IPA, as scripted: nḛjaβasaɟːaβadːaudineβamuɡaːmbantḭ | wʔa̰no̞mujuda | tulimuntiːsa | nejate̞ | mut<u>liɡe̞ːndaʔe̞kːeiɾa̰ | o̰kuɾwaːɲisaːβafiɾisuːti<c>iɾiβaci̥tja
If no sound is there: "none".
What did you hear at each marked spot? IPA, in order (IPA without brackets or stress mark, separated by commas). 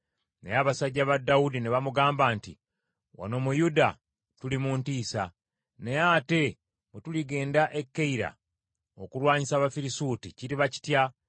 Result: u, c